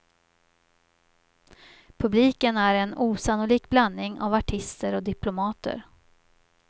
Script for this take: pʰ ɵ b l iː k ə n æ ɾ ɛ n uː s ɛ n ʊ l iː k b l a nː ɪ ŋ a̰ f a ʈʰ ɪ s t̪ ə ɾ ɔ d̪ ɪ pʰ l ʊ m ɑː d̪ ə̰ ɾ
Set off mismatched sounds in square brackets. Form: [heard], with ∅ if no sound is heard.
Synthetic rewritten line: pʰ ɵ b l iː k ə n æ ɾ ɛ n uː s [a] n ʊ l iː k b l a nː ɪ ŋ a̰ [v] a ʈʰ ɪ s t̪ ə ɾ ɔ d̪ ɪ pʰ l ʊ m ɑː [t̪] ə̰ ɾ